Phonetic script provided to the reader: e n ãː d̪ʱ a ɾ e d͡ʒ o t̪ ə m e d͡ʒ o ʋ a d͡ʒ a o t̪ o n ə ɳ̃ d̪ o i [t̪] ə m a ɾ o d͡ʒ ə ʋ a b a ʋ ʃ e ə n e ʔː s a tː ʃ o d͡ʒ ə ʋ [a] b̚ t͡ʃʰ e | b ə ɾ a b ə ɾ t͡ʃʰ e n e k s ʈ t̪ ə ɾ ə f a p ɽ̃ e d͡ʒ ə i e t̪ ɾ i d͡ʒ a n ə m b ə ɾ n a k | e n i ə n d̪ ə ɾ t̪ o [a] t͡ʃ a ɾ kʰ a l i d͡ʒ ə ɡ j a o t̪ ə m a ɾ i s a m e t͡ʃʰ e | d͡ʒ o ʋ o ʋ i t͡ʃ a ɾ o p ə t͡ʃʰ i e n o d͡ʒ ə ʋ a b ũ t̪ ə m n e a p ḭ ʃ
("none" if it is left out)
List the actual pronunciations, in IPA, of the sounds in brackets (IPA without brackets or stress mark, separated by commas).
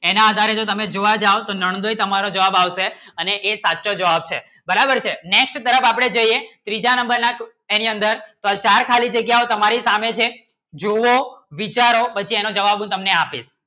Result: t̪, a, a